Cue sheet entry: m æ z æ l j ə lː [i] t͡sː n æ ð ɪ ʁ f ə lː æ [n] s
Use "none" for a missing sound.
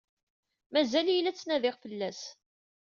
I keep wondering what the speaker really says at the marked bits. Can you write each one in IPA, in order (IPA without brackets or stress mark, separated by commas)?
æ, none